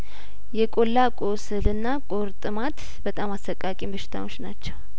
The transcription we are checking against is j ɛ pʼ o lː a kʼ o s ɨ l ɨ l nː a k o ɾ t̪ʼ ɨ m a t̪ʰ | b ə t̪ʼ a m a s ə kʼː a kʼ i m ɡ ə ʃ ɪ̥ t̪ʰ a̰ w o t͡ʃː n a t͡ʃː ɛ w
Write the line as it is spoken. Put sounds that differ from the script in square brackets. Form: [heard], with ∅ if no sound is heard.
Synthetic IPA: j ɛ [kʼ] o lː a kʼ o s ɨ l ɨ [∅] nː a [kʼ] o ɾ t̪ʼ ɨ m a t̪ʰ | b ə t̪ʼ a m a s ə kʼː a kʼ i m [b] ə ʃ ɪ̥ t̪ʰ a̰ w o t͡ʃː n a t͡ʃː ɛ w